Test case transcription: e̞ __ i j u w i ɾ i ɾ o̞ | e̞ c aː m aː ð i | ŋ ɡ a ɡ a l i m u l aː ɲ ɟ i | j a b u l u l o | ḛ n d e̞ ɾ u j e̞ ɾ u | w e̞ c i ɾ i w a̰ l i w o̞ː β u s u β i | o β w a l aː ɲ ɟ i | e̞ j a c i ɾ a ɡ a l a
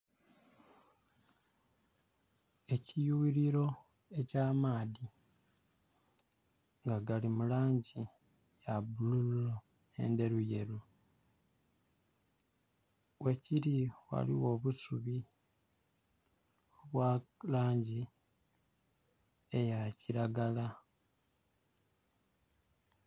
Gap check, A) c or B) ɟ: A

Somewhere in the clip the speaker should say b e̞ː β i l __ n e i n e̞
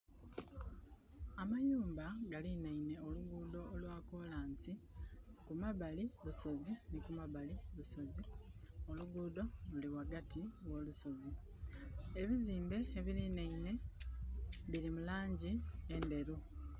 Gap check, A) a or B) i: B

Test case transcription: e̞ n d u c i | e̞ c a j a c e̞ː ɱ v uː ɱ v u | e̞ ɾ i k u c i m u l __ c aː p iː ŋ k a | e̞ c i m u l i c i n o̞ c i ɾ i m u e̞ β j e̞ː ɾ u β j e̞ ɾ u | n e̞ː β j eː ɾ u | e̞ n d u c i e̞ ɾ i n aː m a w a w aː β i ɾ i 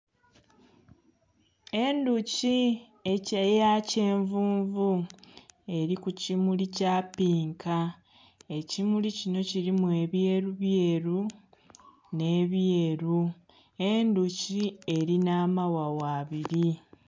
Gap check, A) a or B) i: B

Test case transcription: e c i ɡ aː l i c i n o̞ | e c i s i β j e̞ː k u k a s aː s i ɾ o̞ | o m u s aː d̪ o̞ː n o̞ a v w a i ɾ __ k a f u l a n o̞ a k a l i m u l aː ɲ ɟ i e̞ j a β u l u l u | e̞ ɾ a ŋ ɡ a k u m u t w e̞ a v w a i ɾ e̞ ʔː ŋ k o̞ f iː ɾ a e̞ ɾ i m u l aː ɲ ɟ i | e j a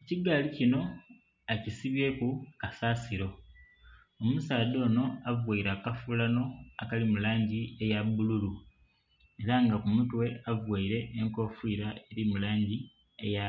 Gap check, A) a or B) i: A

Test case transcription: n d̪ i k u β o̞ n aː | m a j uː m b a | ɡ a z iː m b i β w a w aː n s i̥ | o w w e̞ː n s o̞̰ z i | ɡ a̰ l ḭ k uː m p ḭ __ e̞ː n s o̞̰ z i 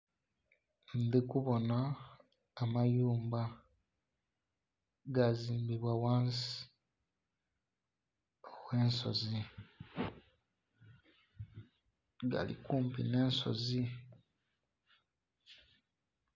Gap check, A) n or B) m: A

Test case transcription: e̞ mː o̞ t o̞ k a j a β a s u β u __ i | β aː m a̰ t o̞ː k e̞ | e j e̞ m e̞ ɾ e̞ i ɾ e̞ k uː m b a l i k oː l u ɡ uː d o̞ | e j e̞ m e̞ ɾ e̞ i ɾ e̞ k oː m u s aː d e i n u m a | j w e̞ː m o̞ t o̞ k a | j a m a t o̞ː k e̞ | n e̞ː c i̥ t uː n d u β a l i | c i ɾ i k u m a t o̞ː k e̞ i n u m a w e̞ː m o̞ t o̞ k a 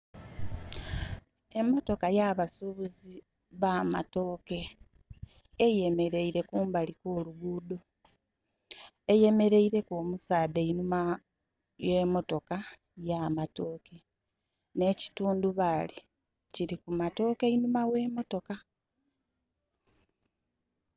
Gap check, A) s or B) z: B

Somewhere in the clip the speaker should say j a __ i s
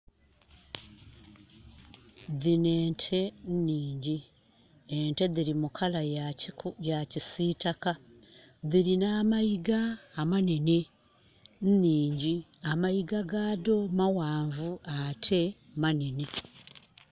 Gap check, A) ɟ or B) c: B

